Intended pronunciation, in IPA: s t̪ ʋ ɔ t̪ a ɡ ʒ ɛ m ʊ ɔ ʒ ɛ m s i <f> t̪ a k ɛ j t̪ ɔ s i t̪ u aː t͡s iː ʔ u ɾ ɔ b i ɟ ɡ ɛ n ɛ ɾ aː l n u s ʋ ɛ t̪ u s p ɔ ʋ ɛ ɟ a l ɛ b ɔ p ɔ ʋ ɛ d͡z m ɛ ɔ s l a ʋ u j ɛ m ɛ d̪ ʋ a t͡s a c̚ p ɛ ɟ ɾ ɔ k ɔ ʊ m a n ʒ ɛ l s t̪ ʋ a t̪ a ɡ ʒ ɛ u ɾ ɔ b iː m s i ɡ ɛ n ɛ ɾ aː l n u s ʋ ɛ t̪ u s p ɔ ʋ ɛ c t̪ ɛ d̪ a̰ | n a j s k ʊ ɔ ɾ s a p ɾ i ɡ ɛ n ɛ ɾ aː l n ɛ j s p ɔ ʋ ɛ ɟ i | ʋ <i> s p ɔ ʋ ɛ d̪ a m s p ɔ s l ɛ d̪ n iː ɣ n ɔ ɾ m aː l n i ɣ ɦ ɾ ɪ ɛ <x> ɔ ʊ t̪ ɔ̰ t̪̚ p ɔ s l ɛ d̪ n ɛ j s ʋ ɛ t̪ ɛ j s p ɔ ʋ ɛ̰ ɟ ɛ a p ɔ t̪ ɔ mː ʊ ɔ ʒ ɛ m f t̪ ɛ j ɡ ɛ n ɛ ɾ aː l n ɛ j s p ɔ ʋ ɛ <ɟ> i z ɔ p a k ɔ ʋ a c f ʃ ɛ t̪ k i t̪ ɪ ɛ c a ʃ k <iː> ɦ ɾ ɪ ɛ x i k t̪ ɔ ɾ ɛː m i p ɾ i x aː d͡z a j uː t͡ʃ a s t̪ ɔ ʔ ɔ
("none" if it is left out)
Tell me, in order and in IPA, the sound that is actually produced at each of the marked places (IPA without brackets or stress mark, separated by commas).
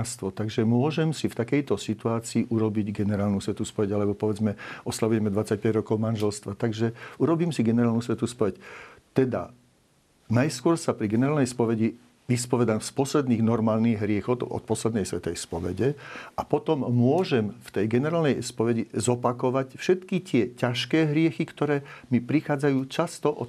f, i, x, ɟ, ɛː